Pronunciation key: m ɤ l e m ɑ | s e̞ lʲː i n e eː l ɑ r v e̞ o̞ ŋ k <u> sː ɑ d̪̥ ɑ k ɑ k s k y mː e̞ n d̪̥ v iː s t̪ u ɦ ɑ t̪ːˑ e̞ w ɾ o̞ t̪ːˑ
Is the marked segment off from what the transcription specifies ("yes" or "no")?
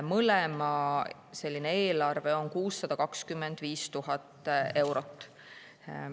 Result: yes